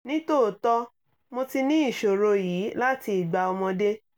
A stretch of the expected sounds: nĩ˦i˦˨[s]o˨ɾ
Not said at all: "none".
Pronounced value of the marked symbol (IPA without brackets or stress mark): ʃ